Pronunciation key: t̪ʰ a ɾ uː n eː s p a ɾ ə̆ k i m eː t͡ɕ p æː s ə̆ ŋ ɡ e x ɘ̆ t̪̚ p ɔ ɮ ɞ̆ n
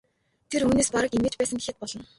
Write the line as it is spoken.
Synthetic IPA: t̪ʰ e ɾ uː n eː s p a ɾ ə̆ k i m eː t͡ɕ p æː s ə̆ ŋ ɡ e x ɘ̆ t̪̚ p ɔ ɮ ɞ̆ n